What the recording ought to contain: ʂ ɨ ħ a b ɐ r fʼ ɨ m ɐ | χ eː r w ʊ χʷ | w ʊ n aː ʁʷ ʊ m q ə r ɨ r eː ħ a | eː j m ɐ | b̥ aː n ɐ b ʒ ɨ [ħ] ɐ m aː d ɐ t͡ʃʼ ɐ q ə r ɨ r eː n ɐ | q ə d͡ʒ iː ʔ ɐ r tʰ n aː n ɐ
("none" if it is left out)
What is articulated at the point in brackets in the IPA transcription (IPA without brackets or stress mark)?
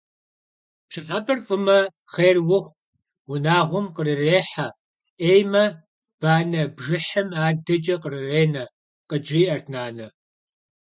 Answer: ħ